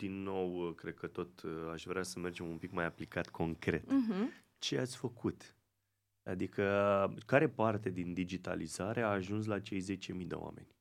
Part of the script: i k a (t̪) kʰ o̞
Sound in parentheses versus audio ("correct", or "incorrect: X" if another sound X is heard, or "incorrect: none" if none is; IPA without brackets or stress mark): correct